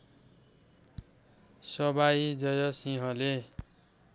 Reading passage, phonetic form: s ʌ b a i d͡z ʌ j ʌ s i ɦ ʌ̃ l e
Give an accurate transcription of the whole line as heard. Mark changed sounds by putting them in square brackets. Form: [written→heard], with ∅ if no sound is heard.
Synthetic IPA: s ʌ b a i d͡z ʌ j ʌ s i ɦ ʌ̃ l e